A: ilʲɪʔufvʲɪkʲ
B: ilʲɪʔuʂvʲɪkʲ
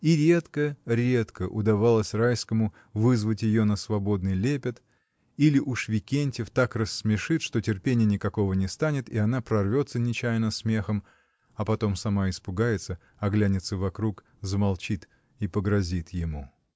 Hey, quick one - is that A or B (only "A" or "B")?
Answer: B